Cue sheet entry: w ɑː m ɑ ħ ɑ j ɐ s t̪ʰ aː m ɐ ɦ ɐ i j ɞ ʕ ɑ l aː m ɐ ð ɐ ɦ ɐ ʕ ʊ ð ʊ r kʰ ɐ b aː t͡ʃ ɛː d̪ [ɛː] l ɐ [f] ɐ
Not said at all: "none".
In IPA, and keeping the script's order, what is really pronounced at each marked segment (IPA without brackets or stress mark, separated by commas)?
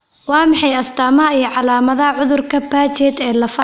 ɛː, f